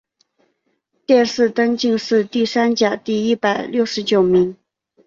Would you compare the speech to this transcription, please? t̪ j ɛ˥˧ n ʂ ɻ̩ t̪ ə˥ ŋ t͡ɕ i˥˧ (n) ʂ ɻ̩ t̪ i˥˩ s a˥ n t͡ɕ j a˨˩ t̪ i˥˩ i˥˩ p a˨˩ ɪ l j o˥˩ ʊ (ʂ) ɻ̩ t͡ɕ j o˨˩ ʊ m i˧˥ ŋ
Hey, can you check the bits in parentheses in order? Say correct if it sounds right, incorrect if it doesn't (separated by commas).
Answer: incorrect, correct